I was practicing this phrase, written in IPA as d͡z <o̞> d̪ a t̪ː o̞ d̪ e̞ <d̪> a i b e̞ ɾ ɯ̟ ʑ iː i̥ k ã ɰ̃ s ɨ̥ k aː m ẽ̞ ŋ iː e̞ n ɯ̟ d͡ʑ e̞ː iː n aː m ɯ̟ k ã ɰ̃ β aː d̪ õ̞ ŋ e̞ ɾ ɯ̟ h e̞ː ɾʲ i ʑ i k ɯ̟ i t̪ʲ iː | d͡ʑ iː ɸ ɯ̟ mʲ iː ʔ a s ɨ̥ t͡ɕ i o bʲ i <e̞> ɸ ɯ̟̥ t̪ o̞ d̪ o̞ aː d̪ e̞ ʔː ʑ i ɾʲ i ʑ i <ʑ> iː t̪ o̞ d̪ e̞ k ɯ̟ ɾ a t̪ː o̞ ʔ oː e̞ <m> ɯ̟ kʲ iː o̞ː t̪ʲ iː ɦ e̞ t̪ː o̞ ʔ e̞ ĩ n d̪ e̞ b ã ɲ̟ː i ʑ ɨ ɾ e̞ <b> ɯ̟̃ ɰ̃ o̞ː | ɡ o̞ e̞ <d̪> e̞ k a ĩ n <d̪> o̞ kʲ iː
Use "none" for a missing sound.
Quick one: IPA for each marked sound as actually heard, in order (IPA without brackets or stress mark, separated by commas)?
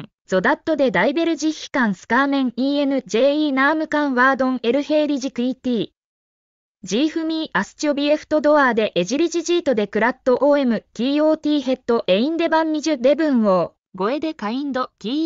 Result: o̞, d̪, e̞, ʑ, m, b, d̪, d̪